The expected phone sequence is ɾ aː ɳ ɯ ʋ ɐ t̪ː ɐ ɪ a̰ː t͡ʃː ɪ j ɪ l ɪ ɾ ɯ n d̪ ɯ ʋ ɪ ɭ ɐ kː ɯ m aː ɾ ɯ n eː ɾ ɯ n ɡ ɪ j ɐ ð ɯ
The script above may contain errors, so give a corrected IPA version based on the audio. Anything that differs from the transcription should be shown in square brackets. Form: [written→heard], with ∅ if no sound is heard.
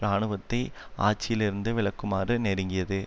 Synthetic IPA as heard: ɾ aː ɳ ɯ ʋ ɐ t̪ː ɐ ɪ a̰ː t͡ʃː ɪ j ɪ l ɪ ɾ ɯ n d̪ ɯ ʋ ɪ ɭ ɐ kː ɯ m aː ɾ ɯ n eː ɾ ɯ [n→ŋ] ɡ ɪ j ɐ ð ɯ